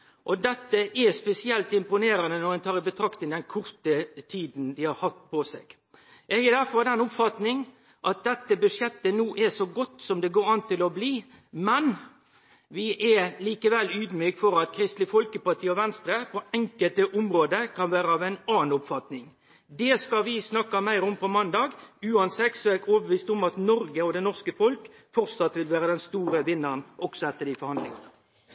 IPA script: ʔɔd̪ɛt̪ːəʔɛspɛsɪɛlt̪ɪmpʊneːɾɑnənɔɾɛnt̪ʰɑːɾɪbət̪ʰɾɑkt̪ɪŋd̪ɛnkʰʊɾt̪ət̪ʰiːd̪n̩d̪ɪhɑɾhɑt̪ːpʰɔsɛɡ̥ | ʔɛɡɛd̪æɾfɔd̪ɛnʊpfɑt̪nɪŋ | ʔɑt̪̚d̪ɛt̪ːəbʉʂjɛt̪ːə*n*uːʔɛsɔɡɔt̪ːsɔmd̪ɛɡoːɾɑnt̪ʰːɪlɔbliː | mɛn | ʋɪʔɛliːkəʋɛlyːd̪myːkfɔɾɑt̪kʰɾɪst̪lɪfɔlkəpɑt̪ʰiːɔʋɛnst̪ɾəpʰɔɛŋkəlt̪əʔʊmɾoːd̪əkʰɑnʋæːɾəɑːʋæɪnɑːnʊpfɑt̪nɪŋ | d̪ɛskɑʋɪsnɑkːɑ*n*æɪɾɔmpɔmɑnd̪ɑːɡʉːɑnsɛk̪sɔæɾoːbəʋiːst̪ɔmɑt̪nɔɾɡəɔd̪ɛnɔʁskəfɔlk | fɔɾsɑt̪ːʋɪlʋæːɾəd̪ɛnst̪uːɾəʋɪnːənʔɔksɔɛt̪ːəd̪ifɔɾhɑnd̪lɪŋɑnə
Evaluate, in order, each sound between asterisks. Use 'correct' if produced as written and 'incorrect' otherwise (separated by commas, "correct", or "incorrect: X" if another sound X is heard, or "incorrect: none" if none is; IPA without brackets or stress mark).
correct, incorrect: m